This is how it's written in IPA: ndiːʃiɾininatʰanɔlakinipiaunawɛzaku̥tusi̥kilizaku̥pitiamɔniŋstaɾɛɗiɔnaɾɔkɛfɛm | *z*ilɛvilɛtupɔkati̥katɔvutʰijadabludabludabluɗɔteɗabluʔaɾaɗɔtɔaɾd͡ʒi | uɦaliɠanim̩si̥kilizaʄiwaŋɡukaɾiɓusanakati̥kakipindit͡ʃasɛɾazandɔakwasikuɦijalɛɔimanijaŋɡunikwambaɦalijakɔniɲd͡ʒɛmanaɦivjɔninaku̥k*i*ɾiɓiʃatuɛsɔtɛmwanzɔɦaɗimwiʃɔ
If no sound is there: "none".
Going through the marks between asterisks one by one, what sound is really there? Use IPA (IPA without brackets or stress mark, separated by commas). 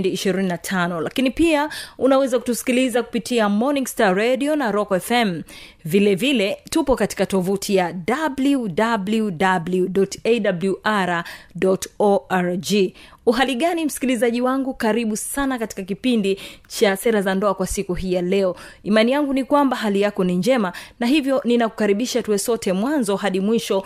v, a